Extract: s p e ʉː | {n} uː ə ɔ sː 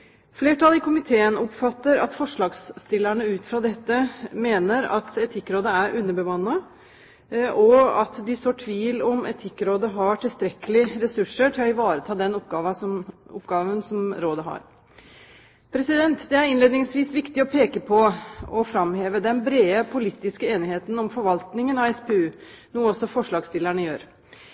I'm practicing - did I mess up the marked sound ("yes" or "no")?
no